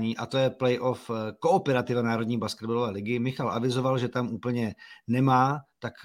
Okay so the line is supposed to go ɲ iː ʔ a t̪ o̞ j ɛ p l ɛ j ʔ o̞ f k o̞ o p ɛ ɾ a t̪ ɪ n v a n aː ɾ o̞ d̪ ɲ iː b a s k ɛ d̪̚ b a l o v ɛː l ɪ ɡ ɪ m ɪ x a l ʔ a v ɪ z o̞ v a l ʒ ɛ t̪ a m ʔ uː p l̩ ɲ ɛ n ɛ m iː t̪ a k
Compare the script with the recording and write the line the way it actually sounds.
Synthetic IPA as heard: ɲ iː ʔ a t̪ o̞ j ɛ p l ɛ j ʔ o̞ f k o̞ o p ɛ ɾ a t̪ ɪ v a n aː ɾ o̞ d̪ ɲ iː b a s k ɛ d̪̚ b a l o v ɛː l ɪ ɡ ɪ m ɪ x a l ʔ a v ɪ z o̞ v a l ʒ ɛ t̪ a m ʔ uː p l̩ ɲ ɛ n ɛ m aː t̪ a k